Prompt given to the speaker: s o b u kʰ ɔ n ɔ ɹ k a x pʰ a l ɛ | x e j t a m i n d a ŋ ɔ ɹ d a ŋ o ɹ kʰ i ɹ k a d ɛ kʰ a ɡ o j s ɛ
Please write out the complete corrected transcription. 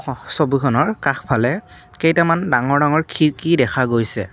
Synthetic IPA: s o b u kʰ ɔ n ɔ ɹ k a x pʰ a l ɛ | k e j t a m a n d a ŋ ɔ ɹ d a ŋ ɔ ɹ kʰ i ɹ k i d ɛ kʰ a ɡ o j s ɛ